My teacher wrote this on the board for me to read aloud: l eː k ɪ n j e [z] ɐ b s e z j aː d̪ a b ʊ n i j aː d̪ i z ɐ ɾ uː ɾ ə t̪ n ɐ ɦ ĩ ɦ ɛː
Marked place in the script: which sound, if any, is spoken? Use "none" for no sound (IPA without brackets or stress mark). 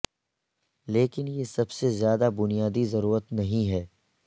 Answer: s